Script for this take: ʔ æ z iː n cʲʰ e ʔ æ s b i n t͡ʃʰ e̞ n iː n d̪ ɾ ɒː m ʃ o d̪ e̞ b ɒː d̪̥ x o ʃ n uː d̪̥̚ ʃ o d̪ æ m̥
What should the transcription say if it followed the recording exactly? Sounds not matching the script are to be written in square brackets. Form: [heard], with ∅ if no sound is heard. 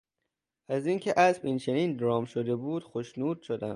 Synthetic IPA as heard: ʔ æ z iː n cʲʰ e ʔ æ s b i n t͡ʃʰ e̞ n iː n d̪ ɾ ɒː m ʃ o d̪ e̞ b [uː] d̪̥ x o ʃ n uː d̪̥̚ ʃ o d̪ æ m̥